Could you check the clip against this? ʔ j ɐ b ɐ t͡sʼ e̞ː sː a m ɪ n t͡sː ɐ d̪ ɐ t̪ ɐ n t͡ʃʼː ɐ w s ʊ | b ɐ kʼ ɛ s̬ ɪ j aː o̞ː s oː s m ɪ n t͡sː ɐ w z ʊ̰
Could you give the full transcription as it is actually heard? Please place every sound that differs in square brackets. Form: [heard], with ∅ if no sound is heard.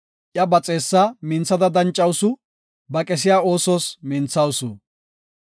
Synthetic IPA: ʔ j ɐ b ɐ t͡sʼ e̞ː sː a m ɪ n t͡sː ɐ d̪ ɐ [d̪] ɐ n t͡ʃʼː ɐ w s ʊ | b ɐ kʼ ɛ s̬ ɪ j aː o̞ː s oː s m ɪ n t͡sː ɐ w [s] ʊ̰

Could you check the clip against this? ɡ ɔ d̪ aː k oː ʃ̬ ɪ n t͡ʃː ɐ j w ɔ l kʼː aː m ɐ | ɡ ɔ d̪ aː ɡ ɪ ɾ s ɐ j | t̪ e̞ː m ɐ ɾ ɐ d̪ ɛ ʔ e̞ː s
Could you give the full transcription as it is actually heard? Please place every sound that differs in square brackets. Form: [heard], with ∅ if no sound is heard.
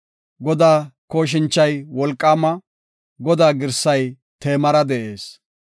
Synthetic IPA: ɡ ɔ d̪ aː k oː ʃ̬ ɪ n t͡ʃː ɐ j w ɔ l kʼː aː m ɐ | ɡ ɔ d̪ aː ɡ ɪ ɾ s ɐ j | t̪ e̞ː m ɐ ɾ ɐ d̪ ɛ ʔ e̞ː s

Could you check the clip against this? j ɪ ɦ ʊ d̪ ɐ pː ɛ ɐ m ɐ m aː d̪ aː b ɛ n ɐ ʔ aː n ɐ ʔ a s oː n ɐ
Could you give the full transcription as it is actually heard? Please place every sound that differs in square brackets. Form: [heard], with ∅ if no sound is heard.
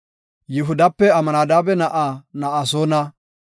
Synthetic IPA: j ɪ ɦ ʊ d̪ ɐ pː ɛ ɐ m ɐ [n] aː d̪ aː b ɛ n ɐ ʔ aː n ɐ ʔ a s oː n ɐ

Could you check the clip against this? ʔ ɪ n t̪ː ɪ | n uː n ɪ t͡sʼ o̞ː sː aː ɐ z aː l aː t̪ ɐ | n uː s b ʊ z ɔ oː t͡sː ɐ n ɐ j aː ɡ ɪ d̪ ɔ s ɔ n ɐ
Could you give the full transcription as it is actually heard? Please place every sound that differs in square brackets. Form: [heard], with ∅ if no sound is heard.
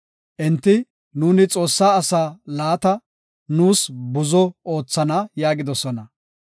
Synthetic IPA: ʔ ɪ n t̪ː ɪ | n uː n ɪ t͡sʼ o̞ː sː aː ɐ [s] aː l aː t̪ ɐ | n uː s b ʊ z ɔ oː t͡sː ɐ n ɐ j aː ɡ ɪ d̪ ɔ s ɔ n ɐ

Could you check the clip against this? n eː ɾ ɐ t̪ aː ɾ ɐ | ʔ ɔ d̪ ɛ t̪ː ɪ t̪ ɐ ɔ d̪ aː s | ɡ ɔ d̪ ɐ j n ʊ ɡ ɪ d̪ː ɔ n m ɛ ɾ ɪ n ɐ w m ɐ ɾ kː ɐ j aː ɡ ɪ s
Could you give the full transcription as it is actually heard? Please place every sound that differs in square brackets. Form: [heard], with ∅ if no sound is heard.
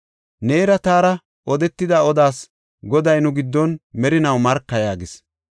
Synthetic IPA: n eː ɾ ɐ t̪ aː ɾ ɐ | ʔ ɔ d̪ ɛ t̪ː ɪ [d̪] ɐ ɔ d̪ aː s | ɡ ɔ d̪ ɐ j n ʊ ɡ ɪ d̪ː ɔ n m ɛ ɾ ɪ n ɐ w m ɐ ɾ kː ɐ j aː ɡ ɪ s

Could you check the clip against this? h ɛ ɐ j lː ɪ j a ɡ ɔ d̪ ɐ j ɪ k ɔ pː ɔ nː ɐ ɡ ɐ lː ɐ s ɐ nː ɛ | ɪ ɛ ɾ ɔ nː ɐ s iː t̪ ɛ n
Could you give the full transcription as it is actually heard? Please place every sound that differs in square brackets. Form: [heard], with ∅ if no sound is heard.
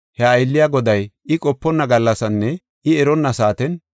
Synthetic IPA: h ɛ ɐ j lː ɪ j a ɡ ɔ d̪ ɐ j ɪ [kʼ] ɔ pː ɔ nː ɐ ɡ ɐ lː ɐ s ɐ nː ɛ | ɪ ɛ ɾ ɔ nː ɐ s [aː] t̪ ɛ n

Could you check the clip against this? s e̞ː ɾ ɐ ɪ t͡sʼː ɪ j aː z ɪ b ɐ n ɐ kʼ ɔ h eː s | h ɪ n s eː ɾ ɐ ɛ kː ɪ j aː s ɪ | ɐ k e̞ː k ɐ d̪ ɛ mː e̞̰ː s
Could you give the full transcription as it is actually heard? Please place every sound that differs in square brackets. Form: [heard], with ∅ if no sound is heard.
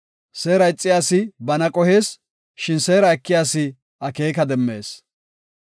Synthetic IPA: s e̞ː ɾ ɐ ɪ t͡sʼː ɪ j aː [s] ɪ b ɐ n ɐ kʼ ɔ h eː s | [ʃ] ɪ n s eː ɾ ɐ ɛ kː ɪ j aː s ɪ | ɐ k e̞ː k ɐ d̪ ɛ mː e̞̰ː s

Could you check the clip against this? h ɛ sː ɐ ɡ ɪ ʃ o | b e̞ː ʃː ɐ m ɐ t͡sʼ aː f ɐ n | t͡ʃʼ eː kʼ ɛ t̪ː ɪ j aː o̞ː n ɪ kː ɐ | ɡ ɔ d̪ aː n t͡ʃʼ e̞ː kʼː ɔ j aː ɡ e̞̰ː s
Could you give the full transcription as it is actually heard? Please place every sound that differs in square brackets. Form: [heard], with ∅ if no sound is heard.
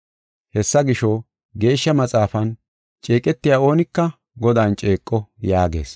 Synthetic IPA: h ɛ sː ɐ ɡ ɪ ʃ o | [ɡ] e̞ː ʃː ɐ m ɐ t͡sʼ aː f ɐ n | t͡ʃʼ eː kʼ ɛ t̪ː ɪ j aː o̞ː n ɪ kː ɐ | ɡ ɔ d̪ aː n t͡ʃʼ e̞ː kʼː ɔ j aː ɡ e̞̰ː s

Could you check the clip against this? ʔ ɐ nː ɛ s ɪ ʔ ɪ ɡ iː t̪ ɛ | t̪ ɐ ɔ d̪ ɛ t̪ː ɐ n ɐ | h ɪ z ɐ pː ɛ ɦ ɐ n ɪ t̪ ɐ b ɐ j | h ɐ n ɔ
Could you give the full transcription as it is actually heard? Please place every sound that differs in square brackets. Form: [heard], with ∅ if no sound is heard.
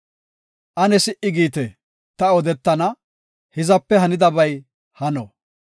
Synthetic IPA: ʔ ɐ [n] ɛ s ɪ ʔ ɪ ɡ iː t̪ ɛ | t̪ ɐ ɔ d̪ ɛ t̪ː ɐ n ɐ | h ɪ z ɐ pː ɛ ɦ ɐ n ɪ [d̪] ɐ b ɐ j | h ɐ n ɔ

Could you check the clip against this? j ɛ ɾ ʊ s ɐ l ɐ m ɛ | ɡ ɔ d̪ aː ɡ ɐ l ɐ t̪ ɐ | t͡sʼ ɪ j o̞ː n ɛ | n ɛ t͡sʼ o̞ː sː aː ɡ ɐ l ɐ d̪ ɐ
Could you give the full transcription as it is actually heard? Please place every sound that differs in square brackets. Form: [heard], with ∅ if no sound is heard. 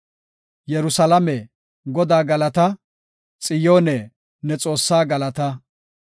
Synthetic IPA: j ɛ ɾ ʊ s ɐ l ɐ m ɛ | ɡ ɔ d̪ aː ɡ ɐ l ɐ t̪ ɐ | t͡sʼ ɪ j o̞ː n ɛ | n ɛ t͡sʼ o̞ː sː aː ɡ ɐ l ɐ [t̪] ɐ

